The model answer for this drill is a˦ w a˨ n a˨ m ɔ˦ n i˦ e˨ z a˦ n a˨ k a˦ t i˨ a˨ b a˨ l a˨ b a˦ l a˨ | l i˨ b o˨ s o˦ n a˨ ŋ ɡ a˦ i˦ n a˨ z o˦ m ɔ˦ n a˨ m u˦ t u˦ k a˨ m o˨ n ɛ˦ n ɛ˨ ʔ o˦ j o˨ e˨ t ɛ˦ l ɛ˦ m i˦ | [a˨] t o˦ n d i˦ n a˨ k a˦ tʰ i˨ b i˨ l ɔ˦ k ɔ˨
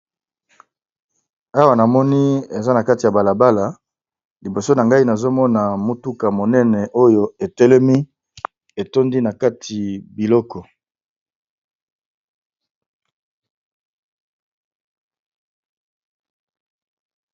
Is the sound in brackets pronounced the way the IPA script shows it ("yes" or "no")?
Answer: no